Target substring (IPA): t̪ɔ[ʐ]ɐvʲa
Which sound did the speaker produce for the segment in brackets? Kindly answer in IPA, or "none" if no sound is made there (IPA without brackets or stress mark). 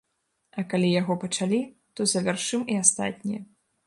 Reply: z